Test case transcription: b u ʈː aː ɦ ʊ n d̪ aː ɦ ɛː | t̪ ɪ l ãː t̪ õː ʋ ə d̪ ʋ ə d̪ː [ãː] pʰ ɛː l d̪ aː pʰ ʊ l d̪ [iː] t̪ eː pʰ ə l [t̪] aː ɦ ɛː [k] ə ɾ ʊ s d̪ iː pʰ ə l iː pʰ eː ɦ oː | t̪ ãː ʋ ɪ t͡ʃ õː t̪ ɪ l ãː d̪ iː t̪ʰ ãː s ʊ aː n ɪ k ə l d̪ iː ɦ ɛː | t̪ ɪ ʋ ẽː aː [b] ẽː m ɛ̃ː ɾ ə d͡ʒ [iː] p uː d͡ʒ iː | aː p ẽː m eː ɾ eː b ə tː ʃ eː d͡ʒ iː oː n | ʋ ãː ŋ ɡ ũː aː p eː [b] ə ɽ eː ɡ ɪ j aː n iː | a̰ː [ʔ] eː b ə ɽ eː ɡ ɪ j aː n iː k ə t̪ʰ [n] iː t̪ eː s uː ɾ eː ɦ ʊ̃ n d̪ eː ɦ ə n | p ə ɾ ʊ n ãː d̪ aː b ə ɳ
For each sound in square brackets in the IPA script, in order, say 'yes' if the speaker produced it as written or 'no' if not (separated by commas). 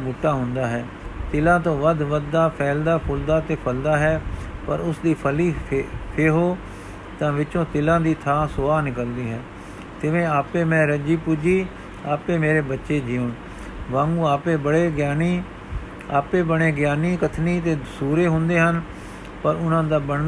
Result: no, no, no, no, no, yes, yes, no, yes